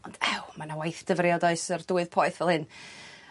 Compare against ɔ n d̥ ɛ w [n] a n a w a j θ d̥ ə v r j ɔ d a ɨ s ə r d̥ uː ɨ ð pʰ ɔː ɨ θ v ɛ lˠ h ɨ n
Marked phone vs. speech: incorrect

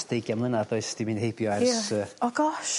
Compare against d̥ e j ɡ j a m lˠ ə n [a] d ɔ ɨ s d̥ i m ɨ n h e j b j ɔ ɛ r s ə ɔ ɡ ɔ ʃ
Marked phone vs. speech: correct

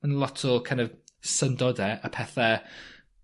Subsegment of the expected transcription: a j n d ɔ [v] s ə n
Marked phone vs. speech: correct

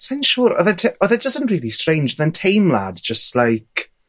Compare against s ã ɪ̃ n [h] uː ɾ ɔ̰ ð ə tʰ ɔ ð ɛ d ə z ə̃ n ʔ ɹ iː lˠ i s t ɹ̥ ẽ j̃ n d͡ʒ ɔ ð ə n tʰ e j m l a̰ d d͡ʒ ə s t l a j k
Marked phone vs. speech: incorrect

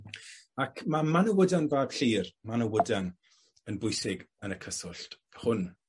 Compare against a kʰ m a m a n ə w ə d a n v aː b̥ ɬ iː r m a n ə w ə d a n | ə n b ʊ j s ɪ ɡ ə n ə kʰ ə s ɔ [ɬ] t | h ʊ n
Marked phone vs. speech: correct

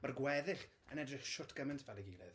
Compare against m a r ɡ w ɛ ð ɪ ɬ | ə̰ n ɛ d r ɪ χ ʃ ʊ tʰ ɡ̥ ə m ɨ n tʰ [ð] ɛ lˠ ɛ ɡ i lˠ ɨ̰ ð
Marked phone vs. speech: incorrect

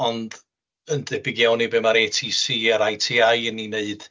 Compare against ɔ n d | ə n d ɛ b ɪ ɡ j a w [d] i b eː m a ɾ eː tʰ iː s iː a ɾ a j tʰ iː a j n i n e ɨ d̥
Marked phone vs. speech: incorrect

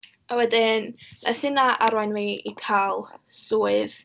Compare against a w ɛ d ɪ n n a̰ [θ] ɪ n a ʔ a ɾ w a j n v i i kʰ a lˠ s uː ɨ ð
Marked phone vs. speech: correct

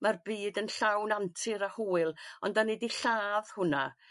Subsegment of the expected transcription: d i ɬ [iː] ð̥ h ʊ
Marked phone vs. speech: incorrect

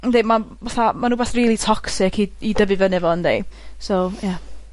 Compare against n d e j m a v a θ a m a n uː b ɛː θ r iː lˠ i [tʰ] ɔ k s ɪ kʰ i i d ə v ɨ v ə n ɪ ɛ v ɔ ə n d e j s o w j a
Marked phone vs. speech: correct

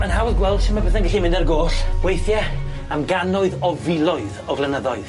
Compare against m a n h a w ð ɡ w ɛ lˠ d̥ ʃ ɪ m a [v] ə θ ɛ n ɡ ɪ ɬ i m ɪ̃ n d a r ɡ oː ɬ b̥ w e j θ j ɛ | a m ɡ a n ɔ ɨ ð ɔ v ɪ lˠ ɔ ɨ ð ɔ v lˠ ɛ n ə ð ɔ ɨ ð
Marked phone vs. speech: incorrect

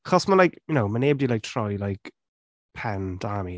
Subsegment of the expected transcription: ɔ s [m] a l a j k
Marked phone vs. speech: correct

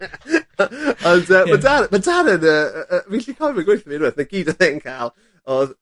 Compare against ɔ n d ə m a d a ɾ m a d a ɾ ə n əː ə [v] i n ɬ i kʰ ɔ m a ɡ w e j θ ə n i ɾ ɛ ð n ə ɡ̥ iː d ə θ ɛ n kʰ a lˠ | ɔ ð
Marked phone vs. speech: correct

